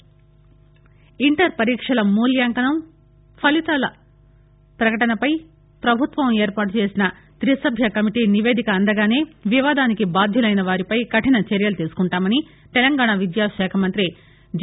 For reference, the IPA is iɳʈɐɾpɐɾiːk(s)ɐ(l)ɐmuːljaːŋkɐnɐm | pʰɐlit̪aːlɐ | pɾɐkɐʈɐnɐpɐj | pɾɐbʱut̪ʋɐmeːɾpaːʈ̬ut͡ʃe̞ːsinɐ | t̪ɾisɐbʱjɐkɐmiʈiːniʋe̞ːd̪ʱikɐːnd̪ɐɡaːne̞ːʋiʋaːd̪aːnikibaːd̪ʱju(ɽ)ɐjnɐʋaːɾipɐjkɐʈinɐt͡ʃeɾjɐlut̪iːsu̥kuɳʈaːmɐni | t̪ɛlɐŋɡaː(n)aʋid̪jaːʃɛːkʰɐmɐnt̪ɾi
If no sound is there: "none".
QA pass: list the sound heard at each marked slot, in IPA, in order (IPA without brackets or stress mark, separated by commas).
ʂ, l, l, ɳ